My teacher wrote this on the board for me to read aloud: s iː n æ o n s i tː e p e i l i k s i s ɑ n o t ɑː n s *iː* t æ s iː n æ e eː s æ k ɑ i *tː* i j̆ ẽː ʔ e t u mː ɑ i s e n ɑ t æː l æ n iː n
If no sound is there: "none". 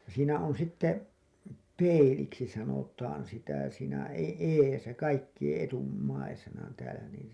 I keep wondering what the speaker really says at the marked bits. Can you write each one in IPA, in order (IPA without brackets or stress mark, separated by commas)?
i, kː